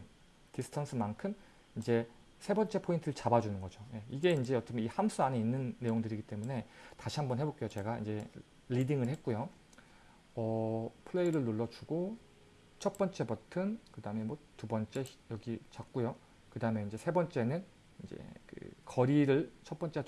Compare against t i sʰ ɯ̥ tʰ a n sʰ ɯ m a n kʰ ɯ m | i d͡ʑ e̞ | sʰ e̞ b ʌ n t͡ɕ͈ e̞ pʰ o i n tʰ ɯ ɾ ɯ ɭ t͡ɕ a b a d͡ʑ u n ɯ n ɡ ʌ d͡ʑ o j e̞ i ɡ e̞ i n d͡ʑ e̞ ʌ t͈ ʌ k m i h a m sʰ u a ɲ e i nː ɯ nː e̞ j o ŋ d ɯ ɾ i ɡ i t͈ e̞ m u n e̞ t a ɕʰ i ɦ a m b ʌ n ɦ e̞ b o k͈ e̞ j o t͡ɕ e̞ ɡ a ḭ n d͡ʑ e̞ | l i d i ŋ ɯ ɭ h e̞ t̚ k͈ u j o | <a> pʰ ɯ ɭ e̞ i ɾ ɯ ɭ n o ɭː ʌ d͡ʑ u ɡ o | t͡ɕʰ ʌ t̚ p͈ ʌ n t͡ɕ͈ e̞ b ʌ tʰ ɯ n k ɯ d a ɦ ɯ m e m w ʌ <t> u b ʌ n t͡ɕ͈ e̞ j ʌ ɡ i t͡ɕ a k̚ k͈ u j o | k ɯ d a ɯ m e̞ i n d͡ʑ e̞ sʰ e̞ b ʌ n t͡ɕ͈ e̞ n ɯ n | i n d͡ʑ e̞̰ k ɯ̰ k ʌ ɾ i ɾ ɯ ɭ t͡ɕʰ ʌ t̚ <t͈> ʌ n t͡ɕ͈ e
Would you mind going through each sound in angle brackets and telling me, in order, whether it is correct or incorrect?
incorrect: ʌ, correct, incorrect: p͈

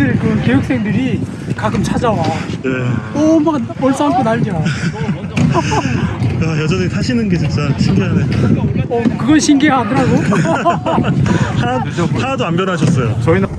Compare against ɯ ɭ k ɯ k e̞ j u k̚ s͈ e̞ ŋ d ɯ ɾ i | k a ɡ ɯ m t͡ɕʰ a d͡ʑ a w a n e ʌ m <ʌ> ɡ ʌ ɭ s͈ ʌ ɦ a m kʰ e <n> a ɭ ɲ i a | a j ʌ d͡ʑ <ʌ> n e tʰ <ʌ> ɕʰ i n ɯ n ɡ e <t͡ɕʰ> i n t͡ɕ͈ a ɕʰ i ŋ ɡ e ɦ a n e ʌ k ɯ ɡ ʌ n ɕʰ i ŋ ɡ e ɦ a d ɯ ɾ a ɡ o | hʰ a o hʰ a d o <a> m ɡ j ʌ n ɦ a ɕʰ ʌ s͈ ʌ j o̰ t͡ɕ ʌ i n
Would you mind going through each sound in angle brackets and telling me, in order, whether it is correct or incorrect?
incorrect: a, correct, correct, incorrect: a, incorrect: t͡ɕ, correct

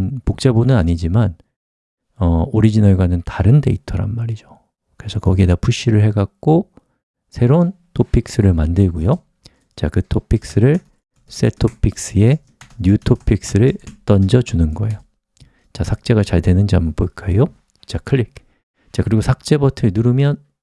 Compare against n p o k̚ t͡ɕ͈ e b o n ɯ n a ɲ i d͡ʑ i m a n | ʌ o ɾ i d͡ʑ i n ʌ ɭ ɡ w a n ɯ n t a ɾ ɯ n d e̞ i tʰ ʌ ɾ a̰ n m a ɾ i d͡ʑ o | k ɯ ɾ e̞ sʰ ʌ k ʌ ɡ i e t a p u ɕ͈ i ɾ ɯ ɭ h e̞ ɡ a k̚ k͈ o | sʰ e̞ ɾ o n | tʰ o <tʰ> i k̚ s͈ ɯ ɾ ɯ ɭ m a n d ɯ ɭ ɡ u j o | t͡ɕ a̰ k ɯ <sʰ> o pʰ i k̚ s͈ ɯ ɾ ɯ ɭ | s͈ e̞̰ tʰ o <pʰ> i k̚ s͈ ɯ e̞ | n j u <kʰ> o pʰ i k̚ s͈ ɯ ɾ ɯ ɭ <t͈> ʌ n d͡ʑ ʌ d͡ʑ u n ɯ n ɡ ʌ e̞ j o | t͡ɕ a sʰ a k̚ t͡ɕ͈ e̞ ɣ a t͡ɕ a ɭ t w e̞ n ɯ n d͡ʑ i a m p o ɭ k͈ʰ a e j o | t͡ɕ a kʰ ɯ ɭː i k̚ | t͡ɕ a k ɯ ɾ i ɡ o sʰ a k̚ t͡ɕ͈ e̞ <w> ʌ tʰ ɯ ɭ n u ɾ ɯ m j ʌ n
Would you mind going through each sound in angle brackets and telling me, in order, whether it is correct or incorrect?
incorrect: pʰ, incorrect: tʰ, correct, incorrect: tʰ, correct, incorrect: b

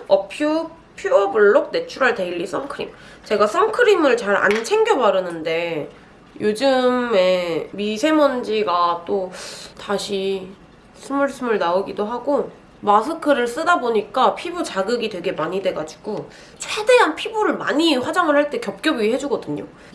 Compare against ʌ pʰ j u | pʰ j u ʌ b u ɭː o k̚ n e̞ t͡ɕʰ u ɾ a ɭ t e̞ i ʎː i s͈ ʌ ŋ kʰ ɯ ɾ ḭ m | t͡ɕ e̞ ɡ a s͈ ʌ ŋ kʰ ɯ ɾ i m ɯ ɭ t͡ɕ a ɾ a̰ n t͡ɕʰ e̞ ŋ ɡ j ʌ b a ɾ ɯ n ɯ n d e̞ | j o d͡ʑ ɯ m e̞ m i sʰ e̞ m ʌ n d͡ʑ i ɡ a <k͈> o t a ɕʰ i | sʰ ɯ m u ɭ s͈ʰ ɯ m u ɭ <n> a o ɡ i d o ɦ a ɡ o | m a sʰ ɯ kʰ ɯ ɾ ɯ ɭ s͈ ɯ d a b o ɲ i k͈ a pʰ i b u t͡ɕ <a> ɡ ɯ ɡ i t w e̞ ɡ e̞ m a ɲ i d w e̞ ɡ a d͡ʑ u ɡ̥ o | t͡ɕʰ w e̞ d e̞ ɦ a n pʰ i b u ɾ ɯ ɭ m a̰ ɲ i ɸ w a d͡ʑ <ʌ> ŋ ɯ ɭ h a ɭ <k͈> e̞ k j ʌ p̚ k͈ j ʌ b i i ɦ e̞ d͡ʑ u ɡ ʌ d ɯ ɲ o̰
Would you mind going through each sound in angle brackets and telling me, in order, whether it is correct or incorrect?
incorrect: t͈, correct, correct, incorrect: a, incorrect: t͈

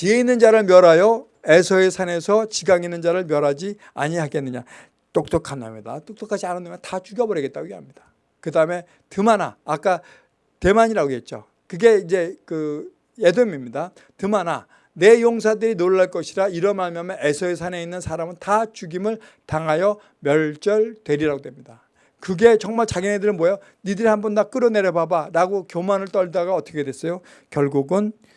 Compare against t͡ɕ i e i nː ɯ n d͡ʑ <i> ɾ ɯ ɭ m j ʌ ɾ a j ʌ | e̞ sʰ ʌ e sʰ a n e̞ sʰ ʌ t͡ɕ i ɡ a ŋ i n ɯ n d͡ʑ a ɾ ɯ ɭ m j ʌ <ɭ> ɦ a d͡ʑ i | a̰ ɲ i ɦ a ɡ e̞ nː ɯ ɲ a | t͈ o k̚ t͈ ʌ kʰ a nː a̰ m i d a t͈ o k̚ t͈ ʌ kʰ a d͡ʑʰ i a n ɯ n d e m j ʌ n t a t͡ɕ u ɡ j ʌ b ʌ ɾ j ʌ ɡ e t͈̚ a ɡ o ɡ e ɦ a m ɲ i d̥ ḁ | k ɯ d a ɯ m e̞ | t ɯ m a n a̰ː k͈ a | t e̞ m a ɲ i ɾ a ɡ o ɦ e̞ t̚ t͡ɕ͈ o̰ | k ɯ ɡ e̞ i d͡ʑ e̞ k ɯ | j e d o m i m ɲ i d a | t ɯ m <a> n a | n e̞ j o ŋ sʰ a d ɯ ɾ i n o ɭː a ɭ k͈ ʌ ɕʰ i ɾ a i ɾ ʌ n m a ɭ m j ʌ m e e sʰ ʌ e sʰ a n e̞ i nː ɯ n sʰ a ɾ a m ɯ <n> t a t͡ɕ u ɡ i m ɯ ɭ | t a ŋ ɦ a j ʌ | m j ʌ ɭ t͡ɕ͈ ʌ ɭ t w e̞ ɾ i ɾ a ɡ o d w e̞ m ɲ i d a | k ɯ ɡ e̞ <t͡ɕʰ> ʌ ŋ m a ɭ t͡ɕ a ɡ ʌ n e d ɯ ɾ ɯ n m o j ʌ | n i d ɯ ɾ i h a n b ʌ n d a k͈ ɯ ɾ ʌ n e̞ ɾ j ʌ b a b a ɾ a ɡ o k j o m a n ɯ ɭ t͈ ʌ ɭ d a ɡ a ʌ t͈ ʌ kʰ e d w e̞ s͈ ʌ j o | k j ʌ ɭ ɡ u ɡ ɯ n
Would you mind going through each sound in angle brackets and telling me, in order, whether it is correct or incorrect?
incorrect: a, incorrect: ɾ, correct, correct, incorrect: t͡ɕ

